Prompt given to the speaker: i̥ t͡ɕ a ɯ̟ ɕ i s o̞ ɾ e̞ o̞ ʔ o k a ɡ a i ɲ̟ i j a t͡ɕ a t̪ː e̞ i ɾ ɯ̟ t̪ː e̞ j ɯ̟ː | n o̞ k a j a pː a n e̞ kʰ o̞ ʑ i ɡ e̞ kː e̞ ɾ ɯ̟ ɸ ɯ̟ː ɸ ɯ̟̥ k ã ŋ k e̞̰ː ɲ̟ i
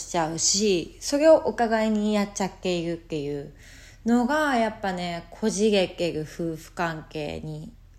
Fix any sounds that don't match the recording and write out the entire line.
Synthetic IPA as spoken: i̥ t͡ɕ a ɯ̟ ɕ i s o̞ ɾ e̞ o̞ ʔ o k a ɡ a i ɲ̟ i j a t͡ɕ a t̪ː e̞ i ɾ ɯ̟ t̪ː e̞ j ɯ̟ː | n o̞ ɡ a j a pː a n e̞ kʰ o̞ ʑ i ɡ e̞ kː e̞ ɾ ɯ̟ ɸ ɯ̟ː ɸ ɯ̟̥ k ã ŋ k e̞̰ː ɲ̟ i